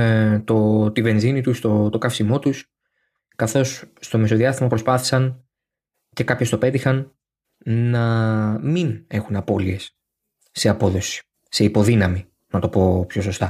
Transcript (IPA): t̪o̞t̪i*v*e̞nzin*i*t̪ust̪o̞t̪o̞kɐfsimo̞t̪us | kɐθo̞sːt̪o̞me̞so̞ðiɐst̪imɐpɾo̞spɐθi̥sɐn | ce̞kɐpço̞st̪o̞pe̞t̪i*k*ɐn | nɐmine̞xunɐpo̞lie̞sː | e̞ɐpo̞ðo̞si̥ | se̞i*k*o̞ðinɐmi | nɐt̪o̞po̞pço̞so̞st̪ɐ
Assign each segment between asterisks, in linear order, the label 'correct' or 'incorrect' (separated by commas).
correct, correct, incorrect, incorrect